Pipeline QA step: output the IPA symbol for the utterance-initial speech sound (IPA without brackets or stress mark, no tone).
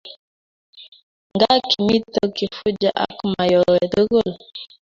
ŋ